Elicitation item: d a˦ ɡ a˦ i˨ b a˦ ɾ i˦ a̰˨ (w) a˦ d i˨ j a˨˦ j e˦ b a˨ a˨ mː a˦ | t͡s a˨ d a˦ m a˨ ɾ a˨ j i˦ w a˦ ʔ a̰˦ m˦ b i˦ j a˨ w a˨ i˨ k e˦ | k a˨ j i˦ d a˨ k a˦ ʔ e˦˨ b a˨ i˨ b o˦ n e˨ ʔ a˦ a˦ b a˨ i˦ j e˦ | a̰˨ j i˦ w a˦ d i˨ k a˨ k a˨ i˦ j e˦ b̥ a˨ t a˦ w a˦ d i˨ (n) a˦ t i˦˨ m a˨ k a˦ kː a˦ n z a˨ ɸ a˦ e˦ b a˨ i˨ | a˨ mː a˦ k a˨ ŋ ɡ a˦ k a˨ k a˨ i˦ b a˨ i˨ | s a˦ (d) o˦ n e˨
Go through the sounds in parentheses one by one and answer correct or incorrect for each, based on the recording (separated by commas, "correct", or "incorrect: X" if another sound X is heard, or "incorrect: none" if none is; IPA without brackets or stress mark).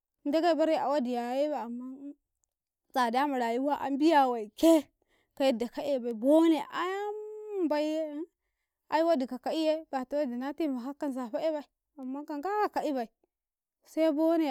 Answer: correct, correct, incorrect: b